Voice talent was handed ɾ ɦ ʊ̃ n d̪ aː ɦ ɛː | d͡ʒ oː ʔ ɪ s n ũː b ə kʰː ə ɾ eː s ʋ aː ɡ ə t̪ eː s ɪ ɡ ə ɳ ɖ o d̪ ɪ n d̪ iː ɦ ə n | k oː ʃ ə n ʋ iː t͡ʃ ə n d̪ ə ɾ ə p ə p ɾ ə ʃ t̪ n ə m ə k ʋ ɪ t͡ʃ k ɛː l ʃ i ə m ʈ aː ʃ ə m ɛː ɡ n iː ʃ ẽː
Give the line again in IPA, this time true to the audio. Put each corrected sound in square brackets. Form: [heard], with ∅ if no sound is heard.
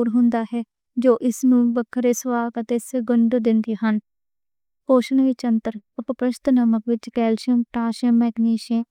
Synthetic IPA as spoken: ɾ ɦ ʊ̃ n d̪ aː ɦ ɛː | d͡ʒ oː ʔ ɪ s n ũː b ə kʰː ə ɾ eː s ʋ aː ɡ ə t̪ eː s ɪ ɡ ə ɳ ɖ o d̪ ɪ n d̪ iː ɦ ə n | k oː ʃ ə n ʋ iː t͡ʃ ə n [t̪] ə ɾ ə p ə p ɾ ə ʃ t̪ n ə m ə k ʋ ɪ t͡ʃ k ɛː l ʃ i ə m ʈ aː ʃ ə m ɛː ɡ n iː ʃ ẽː